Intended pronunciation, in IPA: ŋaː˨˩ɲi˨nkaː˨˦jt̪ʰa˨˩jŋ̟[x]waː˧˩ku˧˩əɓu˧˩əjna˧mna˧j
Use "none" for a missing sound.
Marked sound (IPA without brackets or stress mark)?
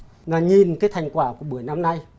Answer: k